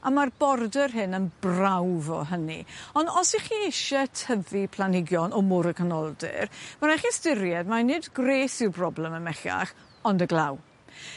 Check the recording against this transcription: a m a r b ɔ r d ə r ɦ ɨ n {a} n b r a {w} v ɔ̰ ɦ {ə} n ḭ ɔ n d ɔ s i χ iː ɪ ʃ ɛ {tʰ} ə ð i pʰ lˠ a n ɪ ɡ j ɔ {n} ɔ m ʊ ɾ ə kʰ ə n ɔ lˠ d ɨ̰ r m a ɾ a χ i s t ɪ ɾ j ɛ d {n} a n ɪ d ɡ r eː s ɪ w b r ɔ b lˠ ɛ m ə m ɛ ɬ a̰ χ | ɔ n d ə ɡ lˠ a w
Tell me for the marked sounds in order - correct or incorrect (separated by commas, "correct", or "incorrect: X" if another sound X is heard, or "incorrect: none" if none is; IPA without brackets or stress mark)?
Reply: incorrect: ə, correct, correct, correct, correct, incorrect: m